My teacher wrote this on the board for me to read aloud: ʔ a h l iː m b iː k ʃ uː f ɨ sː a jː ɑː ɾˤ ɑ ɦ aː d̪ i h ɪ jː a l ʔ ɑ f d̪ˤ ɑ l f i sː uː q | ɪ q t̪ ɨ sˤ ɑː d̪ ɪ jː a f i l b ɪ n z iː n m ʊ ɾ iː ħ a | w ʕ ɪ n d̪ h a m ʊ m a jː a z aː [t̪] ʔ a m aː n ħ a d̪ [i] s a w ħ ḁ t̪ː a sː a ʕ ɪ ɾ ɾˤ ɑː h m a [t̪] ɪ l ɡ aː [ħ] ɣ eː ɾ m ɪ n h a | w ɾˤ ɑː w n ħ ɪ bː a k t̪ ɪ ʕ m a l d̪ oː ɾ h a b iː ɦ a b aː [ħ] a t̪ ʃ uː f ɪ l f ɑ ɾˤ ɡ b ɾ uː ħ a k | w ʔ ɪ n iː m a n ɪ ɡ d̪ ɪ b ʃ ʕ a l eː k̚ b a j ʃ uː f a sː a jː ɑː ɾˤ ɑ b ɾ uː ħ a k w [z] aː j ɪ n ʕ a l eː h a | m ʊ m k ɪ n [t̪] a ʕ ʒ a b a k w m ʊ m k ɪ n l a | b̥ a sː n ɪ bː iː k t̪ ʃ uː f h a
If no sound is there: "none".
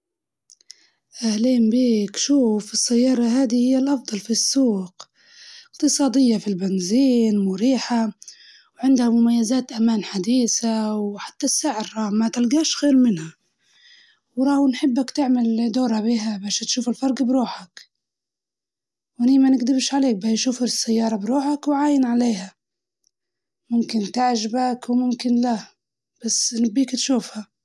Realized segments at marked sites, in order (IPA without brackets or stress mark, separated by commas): t̪, iː, t̪, ʃ, ʃ, ʕ, t̪